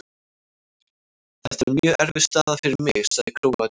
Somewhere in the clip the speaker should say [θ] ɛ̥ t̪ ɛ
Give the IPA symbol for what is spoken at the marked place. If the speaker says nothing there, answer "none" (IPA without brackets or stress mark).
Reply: θ